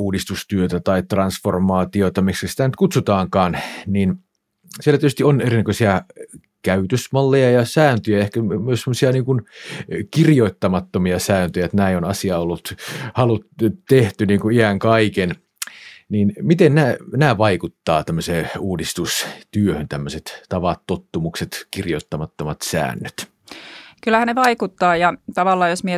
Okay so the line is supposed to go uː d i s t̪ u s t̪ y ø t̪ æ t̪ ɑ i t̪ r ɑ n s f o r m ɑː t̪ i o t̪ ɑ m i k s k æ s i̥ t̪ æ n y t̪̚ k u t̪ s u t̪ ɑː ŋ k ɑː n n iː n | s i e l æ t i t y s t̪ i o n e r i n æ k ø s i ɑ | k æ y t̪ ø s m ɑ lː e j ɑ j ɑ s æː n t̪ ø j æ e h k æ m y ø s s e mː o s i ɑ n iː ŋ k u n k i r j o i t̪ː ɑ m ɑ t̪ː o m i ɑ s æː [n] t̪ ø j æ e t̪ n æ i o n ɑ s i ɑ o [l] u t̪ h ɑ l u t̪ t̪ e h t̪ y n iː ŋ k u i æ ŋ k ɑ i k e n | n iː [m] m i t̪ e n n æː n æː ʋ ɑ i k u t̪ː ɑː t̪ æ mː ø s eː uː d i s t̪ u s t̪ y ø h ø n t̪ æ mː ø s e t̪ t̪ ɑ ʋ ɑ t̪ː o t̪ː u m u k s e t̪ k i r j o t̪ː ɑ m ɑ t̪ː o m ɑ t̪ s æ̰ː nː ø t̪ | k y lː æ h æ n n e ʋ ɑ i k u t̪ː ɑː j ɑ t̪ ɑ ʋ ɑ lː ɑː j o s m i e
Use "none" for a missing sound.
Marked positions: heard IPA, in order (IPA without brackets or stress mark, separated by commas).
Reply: n, lː, n